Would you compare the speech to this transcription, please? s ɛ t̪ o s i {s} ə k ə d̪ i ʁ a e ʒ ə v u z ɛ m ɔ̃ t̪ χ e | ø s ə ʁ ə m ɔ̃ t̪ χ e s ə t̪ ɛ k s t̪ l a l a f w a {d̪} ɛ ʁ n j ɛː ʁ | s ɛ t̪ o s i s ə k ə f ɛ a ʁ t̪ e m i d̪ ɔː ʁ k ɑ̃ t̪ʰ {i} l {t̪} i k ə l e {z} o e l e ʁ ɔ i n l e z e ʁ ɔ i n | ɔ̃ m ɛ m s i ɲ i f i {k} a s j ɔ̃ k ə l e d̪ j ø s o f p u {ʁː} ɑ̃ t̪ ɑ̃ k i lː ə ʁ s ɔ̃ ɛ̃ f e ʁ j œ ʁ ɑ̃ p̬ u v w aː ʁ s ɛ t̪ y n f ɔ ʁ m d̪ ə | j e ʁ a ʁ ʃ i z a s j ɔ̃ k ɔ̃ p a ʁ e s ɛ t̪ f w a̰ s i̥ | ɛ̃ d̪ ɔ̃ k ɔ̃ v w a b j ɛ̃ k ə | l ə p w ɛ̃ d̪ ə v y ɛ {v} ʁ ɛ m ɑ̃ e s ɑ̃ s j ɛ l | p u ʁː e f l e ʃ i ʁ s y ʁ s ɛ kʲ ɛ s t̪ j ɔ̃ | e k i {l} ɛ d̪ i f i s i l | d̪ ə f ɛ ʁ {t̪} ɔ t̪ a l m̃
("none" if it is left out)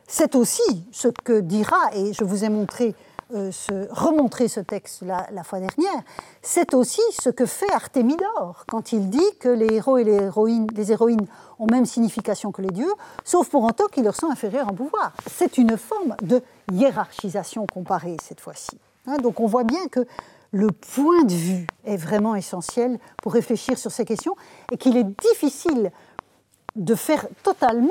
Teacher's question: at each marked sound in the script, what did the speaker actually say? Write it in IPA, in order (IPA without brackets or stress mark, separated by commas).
s, d̪, i, d̪, ʁ, k, ʁ, v, l, t̪